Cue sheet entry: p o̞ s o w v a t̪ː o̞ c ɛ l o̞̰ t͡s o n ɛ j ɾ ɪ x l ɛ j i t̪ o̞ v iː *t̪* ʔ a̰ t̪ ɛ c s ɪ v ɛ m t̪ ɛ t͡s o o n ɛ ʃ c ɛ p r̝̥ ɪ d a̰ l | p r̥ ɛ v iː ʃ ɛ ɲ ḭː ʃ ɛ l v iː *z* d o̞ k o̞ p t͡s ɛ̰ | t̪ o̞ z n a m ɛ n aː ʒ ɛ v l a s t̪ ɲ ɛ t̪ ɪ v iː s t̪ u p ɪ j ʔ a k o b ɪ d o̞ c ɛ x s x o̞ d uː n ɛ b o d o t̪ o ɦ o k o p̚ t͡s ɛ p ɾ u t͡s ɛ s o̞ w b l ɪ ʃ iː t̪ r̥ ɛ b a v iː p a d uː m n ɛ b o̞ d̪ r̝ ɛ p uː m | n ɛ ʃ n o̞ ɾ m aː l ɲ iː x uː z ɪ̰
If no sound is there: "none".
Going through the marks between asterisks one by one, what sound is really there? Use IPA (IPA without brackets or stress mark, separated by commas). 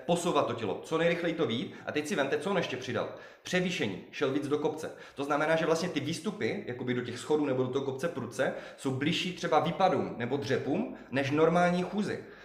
t̪, d͡z